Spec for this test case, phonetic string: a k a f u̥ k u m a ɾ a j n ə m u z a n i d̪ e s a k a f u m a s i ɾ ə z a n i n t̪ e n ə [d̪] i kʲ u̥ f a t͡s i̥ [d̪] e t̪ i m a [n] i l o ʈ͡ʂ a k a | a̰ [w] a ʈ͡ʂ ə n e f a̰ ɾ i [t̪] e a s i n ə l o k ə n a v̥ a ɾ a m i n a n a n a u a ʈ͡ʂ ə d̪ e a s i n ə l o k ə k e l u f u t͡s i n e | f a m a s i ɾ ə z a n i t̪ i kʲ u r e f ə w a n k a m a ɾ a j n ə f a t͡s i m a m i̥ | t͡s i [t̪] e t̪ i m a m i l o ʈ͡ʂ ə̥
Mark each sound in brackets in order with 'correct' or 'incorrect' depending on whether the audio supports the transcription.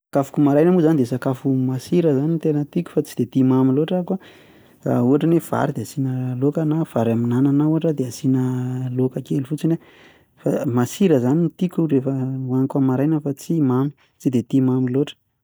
incorrect: t̪, correct, incorrect: m, incorrect: u, incorrect: d̪, incorrect: d̪

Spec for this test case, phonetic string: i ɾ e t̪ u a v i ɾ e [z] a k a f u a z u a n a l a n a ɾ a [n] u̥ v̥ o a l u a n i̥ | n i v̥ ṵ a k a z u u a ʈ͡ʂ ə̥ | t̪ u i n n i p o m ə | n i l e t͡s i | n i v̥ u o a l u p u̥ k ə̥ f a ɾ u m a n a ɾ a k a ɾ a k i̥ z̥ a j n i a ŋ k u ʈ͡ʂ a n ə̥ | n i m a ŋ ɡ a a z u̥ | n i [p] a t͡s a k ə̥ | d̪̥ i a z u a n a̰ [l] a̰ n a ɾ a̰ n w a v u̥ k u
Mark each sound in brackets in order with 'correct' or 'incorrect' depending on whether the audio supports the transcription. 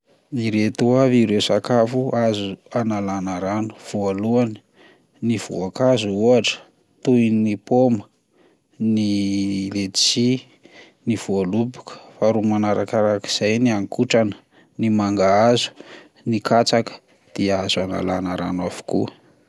incorrect: s, correct, incorrect: k, correct

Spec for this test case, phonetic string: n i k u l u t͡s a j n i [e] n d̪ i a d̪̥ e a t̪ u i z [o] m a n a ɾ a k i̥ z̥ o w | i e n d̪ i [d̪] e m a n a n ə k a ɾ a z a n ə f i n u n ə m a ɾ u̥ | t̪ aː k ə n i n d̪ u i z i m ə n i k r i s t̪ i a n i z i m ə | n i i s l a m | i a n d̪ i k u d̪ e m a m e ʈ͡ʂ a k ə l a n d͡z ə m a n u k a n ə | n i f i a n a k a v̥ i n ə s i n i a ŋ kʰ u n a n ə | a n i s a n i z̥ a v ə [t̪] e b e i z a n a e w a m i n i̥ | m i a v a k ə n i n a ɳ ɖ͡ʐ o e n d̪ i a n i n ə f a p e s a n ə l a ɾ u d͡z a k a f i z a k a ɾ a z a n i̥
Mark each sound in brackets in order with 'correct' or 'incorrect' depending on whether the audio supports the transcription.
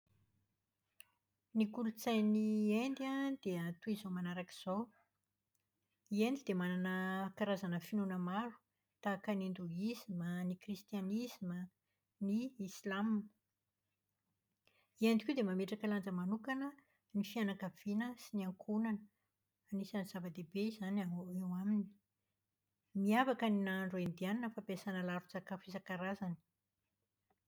correct, correct, correct, incorrect: d̪

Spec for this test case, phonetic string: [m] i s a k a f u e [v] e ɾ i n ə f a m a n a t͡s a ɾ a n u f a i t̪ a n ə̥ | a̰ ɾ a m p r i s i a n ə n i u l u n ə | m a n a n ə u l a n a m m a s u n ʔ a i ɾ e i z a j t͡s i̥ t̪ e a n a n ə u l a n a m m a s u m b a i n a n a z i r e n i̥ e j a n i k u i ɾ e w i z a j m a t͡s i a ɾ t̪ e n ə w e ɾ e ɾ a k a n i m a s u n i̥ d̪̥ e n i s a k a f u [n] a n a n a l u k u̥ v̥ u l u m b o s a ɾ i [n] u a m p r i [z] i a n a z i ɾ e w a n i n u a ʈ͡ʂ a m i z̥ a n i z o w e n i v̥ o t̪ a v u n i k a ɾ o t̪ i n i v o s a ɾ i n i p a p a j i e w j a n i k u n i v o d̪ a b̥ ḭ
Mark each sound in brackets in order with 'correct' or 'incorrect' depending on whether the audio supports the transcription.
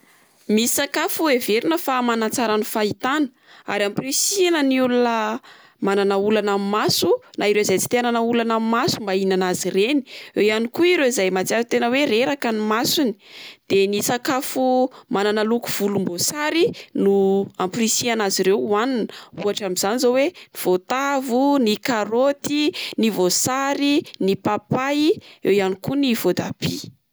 correct, correct, incorrect: m, correct, incorrect: s

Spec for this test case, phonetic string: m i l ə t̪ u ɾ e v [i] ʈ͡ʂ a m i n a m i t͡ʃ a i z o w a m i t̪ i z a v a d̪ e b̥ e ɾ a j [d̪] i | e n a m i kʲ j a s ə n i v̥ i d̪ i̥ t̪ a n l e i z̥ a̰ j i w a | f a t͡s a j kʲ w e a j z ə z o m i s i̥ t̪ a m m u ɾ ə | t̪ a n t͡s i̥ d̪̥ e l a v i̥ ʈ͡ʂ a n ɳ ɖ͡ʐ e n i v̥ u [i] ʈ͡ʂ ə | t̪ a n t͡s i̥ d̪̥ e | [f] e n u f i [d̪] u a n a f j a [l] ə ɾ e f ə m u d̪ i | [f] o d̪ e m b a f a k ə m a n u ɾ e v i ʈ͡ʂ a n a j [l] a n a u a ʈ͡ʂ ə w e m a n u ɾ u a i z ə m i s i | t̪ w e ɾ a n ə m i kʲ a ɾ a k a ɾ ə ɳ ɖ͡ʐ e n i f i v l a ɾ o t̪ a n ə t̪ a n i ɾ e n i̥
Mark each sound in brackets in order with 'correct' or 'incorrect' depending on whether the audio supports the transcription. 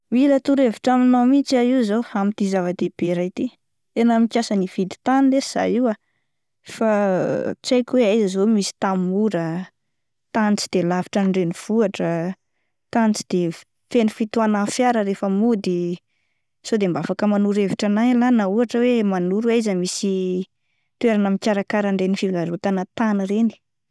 correct, incorrect: t̪, incorrect: a, correct, incorrect: t̪, incorrect: ɾ, incorrect: s, correct

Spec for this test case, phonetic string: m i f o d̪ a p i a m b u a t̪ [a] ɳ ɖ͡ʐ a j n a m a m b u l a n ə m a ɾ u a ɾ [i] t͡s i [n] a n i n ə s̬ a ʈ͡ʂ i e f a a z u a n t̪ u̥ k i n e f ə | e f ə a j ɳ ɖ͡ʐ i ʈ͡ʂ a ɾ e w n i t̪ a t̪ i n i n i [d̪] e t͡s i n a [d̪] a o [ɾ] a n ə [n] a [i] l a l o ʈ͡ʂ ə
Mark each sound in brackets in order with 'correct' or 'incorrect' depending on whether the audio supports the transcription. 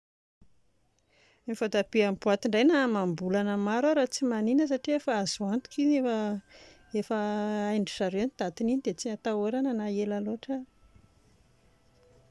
incorrect: i, incorrect: a, incorrect: m, correct, incorrect: t̪, correct, correct, incorrect: e

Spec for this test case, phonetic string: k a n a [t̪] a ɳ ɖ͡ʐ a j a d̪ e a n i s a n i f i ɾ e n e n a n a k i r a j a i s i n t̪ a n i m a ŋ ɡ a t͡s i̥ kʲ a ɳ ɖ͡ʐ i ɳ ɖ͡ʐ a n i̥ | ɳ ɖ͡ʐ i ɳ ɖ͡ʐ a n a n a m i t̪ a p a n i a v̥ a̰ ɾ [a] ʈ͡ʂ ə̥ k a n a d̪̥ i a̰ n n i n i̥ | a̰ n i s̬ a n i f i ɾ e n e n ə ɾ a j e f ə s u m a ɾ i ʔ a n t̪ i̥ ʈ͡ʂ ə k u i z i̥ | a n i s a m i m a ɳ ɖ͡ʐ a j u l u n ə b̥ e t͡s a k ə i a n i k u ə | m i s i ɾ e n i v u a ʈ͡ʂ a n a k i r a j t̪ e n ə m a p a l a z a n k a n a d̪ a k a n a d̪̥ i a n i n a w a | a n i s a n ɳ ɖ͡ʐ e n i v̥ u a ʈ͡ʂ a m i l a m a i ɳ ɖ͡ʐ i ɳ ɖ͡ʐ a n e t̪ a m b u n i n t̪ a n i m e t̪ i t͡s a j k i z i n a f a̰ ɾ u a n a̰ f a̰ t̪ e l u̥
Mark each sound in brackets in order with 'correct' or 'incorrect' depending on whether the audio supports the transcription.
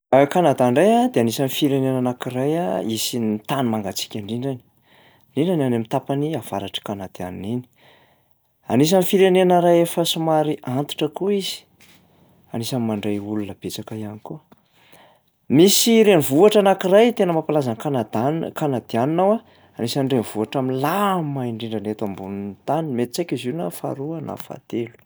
incorrect: d̪, correct

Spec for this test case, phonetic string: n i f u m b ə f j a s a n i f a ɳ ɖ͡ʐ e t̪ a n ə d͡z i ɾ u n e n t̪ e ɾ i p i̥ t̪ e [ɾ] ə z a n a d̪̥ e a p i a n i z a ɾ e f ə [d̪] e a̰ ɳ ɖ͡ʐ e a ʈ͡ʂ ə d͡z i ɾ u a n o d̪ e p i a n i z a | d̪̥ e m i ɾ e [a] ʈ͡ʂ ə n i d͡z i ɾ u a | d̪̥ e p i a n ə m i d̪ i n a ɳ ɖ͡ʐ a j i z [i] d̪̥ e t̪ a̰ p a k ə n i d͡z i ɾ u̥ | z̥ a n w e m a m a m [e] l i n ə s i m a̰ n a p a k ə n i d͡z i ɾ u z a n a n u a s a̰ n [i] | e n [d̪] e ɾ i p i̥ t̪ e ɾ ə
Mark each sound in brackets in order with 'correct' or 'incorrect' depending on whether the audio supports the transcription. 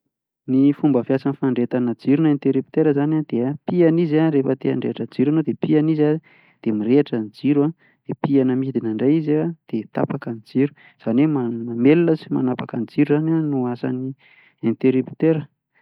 correct, incorrect: t̪, correct, incorrect: a, correct, correct, incorrect: t̪

